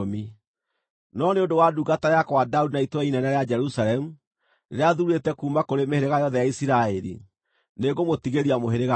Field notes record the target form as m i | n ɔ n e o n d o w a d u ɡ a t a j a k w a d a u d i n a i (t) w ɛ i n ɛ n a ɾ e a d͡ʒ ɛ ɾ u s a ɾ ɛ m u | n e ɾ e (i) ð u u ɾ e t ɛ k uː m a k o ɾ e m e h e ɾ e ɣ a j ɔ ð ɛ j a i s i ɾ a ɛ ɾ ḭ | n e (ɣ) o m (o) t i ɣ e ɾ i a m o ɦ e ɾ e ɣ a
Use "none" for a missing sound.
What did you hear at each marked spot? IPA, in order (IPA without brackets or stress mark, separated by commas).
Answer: t, a, ɣ, o